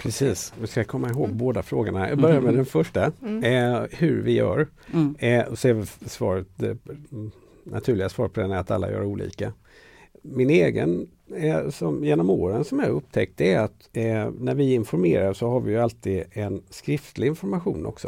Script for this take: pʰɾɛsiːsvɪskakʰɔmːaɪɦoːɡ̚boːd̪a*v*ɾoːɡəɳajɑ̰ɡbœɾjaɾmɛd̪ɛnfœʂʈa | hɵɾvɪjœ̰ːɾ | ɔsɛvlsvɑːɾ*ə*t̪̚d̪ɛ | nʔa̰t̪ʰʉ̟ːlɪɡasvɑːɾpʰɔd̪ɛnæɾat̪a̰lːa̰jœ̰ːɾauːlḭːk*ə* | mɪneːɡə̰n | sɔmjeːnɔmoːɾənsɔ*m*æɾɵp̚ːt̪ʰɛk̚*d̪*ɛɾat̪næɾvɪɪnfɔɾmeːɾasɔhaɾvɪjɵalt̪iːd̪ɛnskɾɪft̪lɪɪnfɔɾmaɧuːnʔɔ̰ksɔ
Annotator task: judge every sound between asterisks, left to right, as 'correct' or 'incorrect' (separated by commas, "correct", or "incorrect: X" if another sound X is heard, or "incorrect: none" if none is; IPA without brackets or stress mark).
incorrect: f, correct, incorrect: a, correct, incorrect: t̪